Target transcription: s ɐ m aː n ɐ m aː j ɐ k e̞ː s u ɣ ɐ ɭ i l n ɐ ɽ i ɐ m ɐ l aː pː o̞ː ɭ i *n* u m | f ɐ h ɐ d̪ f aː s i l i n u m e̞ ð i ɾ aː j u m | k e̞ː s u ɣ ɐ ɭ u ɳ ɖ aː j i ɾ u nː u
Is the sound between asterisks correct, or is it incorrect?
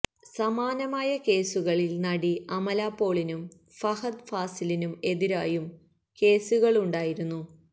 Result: correct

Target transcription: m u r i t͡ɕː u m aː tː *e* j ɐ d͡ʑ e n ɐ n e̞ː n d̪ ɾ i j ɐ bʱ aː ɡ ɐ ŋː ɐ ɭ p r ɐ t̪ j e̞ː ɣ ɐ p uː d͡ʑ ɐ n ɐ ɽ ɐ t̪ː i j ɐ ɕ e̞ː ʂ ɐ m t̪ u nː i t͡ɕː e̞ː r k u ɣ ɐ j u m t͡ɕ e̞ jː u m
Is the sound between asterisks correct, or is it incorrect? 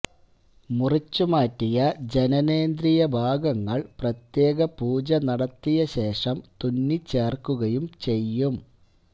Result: incorrect: i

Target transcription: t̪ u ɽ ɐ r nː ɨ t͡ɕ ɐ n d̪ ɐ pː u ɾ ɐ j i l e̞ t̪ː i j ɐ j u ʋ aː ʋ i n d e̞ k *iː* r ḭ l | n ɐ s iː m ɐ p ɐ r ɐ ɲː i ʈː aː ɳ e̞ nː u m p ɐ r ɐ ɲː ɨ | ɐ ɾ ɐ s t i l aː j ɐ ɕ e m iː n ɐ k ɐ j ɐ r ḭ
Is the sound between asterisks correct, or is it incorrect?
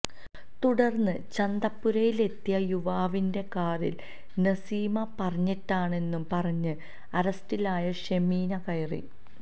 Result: incorrect: aː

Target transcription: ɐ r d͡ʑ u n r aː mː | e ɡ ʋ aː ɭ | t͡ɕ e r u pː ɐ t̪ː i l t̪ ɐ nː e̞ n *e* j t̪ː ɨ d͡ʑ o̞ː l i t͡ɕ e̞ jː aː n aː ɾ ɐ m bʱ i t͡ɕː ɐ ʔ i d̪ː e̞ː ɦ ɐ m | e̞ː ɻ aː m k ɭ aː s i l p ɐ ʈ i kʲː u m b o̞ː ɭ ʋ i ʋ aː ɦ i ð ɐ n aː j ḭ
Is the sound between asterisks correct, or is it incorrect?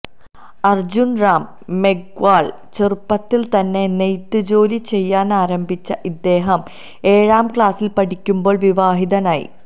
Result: correct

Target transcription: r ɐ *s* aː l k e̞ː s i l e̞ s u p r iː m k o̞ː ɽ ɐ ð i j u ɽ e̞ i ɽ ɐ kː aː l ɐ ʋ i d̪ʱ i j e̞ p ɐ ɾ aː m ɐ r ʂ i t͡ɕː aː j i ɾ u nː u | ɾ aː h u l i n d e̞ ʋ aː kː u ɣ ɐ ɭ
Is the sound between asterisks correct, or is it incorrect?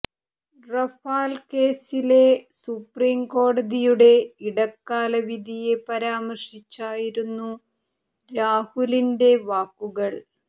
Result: incorrect: f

